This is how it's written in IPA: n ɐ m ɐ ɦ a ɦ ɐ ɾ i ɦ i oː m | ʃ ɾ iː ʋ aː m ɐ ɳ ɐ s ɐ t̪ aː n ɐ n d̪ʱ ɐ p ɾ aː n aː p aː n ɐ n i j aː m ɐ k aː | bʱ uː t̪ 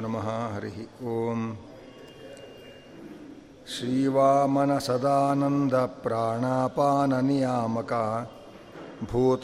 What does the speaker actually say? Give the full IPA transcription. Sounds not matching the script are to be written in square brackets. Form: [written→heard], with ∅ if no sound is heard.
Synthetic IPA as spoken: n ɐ m ɐ ɦ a ɦ ɐ ɾ i ɦ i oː m | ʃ ɾ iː ʋ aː m ɐ [ɳ→n] ɐ s ɐ [t̪→d̪] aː n ɐ n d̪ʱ ɐ p ɾ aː [n→ɳ] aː p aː n ɐ n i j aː m ɐ k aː | bʱ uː t̪